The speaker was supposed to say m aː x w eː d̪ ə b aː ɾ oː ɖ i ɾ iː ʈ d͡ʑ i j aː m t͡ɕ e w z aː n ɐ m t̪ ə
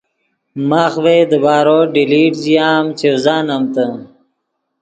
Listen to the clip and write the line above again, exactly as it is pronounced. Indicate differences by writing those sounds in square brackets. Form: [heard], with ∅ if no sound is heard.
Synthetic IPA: m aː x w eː d̪ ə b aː ɾ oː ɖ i [l] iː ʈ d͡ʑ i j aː m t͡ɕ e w z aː n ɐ m t̪ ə